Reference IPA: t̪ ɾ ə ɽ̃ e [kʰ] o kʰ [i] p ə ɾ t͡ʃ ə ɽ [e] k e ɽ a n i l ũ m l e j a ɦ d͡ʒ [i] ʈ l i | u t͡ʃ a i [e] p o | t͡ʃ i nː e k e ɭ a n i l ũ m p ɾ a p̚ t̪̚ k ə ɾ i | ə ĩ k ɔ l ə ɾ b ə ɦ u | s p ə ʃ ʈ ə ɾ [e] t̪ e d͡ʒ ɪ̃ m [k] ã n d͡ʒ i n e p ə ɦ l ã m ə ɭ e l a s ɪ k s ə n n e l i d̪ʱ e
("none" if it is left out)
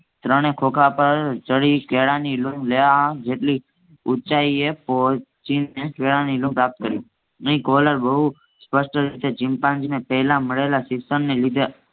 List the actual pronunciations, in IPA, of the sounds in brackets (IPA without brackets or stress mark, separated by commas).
kʰ, a, i, e, e, i, p